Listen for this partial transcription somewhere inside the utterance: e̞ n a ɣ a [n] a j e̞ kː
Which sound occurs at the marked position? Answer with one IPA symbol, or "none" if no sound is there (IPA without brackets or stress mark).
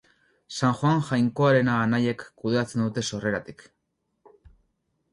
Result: n